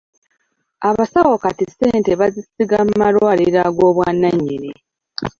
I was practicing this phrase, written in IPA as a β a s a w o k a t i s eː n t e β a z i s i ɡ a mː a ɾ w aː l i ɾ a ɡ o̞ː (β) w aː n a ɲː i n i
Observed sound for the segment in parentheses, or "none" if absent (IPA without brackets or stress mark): β